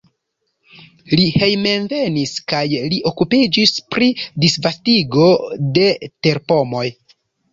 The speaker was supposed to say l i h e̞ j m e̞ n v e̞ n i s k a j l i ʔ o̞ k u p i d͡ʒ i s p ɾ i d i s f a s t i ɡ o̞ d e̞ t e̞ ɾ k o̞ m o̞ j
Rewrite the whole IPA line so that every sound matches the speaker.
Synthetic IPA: l i h e̞ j m e̞ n v e̞ n i s k a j l i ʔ o̞ k u p i d͡ʒ i s p ɾ i d i s v a s t i ɡ o̞ d e̞ t e̞ ɾ p o̞ m o̞ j